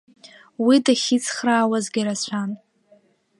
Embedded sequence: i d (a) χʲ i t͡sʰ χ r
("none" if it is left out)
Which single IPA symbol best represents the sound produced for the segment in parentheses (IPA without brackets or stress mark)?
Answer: a